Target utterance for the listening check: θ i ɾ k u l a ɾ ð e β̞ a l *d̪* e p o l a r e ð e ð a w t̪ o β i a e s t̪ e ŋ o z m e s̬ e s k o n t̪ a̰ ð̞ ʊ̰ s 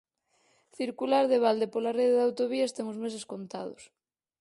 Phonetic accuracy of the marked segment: correct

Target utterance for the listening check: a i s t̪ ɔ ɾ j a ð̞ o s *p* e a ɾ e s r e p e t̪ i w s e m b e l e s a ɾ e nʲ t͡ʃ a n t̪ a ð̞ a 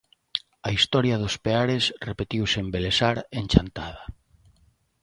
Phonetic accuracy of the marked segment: correct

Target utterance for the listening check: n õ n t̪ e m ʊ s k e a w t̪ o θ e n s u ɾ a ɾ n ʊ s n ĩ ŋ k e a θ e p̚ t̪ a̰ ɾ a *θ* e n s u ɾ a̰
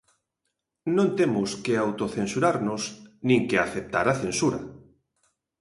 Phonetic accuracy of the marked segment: correct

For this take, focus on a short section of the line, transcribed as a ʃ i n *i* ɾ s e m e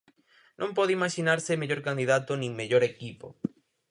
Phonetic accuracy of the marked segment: incorrect: a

